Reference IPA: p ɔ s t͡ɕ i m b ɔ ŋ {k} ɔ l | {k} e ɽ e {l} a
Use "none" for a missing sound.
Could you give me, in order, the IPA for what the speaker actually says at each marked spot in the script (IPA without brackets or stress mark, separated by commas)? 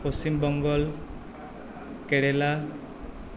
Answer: ɡ, k, l